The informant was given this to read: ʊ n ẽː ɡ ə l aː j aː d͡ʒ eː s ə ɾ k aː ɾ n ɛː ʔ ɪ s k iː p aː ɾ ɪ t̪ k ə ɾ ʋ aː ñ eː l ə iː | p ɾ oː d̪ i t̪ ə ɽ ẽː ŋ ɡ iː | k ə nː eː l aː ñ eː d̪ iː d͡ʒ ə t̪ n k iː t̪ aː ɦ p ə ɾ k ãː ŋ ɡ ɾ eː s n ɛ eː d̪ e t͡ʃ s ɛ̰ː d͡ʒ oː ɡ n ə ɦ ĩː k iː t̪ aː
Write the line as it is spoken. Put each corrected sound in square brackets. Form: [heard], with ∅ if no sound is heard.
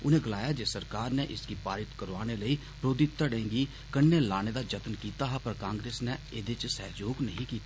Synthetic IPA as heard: ʊ n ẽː ɡ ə l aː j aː d͡ʒ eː s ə ɾ k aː ɾ n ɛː ʔ ɪ s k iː p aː ɾ ɪ t̪ k ə ɾ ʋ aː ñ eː l ə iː | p ɾ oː d̪ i t̪ ə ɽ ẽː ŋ ɡ iː | k ə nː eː l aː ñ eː d̪ [aː] d͡ʒ ə t̪ n k iː t̪ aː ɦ p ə ɾ k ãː ŋ ɡ ɾ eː s n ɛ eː d̪ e t͡ʃ s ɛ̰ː d͡ʒ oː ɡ n ə ɦ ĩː k iː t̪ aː